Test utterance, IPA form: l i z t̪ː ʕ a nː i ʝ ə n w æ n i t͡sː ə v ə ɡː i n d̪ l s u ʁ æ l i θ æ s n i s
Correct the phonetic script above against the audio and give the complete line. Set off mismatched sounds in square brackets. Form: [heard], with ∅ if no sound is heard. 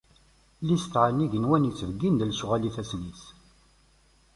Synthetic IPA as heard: l i [s] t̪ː ʕ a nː i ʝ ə n w æ n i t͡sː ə v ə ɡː i n d̪ l s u ʁ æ l i θ æ s n i s